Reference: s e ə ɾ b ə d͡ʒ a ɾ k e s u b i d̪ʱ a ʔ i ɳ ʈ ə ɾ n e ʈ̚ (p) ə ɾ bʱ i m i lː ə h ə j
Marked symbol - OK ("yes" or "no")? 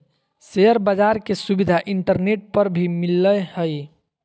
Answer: yes